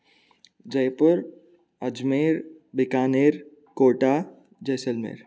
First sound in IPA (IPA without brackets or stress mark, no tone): d͡ʒ